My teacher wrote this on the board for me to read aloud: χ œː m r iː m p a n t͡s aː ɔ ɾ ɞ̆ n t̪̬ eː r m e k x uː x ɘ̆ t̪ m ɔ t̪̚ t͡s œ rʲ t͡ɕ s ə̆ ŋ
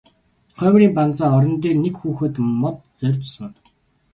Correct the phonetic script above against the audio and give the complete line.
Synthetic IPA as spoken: χ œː m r iː m p a n t͡s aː ɔ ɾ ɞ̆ n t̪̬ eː r n e k x uː x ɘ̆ t̪ m ɔ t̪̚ t͡s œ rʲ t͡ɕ s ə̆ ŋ

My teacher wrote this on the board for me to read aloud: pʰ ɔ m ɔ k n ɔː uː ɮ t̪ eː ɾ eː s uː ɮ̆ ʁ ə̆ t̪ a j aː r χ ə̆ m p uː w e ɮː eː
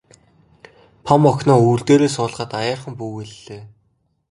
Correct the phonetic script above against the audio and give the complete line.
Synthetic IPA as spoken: pʰ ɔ m ɔ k n ɔː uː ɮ t̪ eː ɾ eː s ʊː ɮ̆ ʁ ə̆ t̪ a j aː r χ ə̆ m p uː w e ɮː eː

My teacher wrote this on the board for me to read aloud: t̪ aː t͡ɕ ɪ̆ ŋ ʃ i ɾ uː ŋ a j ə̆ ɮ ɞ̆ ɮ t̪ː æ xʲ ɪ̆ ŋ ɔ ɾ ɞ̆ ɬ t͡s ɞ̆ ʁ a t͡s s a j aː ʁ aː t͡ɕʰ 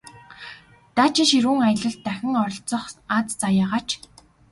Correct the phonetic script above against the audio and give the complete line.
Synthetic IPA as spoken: t̪ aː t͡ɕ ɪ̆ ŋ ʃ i ɾ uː ŋ a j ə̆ ɮ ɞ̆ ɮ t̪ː æ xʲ ɪ̆ ŋ ɔ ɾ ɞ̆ ɬ t͡s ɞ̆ χ a t͡s t͡s a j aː ʁ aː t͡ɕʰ

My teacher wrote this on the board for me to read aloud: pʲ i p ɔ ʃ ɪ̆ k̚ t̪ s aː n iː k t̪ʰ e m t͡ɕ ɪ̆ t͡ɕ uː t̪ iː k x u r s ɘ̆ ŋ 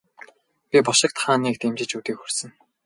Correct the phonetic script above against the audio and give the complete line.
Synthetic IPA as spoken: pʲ i p ɔ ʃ ɪ̆ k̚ t̪ χ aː n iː k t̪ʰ e m t͡ɕ ɪ̆ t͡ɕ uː t̪ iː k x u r s ɘ̆ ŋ

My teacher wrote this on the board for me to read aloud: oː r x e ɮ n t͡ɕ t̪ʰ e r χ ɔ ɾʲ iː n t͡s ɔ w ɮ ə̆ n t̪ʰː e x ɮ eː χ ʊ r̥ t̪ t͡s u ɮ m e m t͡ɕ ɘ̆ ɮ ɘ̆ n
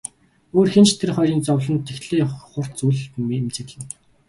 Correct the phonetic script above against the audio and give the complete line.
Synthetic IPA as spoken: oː r x e n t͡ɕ t̪ʰ e r χ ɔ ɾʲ iː n t͡s ɔ w ɮ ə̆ n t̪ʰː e x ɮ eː χ ʊ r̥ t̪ t͡s u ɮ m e m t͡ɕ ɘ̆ ɮ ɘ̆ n

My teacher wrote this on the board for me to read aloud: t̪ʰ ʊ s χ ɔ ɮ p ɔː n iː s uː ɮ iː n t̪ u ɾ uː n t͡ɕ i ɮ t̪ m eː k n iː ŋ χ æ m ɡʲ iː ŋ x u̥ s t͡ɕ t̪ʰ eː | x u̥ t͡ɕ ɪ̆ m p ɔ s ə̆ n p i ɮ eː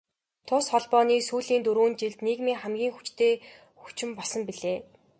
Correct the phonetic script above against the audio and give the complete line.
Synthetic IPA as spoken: t̪ʰ ʊ s χ ɔ ɮ p ɔː n iː s uː ɮ iː n t̪ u ɾ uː n t͡ɕ i ɮ t̪ n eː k m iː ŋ χ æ m ɡʲ iː ŋ x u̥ t͡ɕ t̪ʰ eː | x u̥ t͡ɕ ɪ̆ m p ɔ s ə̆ m p i ɮ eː

